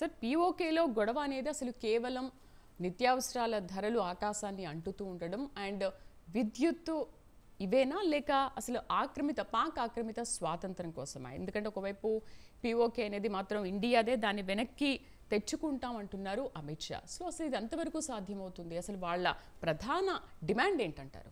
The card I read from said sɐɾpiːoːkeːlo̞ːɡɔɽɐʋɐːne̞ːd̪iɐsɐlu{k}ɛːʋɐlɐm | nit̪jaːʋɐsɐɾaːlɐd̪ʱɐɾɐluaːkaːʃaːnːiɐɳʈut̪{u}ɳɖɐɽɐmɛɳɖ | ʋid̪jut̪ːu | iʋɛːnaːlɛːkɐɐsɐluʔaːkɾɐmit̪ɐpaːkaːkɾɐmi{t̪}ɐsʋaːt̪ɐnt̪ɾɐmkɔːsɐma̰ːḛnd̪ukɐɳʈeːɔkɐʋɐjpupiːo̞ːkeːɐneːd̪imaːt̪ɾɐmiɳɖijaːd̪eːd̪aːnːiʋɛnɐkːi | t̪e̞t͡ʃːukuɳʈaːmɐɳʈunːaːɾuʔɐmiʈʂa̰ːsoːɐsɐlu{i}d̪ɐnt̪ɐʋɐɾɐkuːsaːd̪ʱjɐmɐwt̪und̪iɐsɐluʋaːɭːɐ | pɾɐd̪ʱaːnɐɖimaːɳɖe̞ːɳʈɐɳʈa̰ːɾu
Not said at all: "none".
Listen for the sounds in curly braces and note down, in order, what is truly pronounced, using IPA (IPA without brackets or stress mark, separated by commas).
k, uː, t̪, i